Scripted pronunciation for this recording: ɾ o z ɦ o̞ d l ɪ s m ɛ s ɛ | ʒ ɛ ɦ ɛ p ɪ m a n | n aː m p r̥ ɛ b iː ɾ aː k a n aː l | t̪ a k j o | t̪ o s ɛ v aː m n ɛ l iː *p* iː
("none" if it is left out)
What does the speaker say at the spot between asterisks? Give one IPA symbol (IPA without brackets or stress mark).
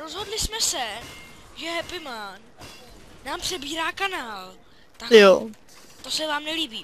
b